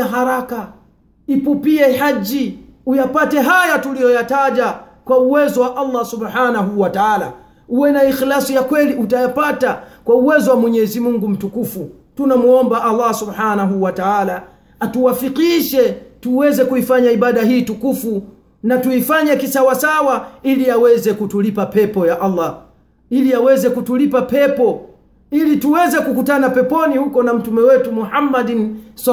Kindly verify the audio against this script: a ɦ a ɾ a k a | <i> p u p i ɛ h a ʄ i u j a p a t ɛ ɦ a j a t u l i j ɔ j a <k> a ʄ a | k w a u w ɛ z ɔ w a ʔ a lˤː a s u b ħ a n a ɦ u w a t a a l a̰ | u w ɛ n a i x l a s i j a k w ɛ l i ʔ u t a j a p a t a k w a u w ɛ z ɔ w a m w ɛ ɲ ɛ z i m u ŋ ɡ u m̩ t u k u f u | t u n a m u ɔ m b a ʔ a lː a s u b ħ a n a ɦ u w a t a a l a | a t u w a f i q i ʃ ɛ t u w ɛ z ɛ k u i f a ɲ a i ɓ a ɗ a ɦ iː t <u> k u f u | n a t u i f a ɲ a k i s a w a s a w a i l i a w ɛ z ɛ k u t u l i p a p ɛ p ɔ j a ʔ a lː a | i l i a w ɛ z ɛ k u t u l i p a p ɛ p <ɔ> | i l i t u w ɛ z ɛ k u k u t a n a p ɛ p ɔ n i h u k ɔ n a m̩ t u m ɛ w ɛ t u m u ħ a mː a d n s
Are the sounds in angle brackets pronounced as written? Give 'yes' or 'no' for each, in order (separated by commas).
yes, no, yes, yes